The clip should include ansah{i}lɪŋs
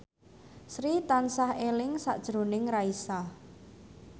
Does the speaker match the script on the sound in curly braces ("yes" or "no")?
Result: no